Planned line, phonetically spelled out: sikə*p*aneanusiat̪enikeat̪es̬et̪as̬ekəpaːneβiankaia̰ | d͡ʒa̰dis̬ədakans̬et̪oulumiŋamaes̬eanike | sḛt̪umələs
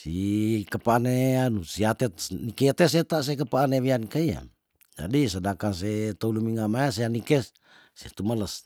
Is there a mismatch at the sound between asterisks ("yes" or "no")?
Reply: no